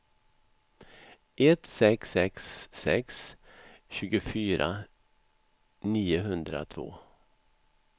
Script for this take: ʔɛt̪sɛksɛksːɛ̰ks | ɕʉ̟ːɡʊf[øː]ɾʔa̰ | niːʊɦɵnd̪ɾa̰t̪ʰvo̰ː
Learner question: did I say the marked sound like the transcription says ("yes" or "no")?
no